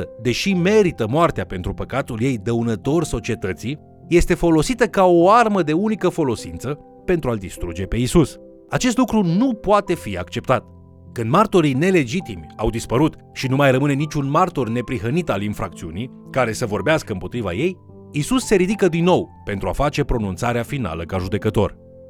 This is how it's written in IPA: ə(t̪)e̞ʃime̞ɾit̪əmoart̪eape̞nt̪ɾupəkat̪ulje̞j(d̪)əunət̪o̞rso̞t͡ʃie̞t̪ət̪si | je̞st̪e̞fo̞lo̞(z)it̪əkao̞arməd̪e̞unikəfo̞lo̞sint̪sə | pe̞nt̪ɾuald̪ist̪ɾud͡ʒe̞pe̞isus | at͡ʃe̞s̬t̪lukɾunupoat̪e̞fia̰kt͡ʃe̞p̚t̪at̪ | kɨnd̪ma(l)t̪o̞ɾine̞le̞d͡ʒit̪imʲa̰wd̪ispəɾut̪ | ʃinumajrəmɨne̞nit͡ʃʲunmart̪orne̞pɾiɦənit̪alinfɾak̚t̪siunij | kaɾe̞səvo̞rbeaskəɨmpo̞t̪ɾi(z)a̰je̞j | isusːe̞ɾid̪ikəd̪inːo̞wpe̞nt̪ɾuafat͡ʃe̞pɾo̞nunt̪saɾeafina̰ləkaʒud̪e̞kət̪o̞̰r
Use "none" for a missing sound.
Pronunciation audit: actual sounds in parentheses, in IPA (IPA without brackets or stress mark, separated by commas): d̪, d̪, s, r, v